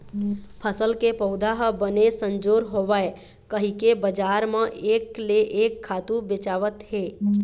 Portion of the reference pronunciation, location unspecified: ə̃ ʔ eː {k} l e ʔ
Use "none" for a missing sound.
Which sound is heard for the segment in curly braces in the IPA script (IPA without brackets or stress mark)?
k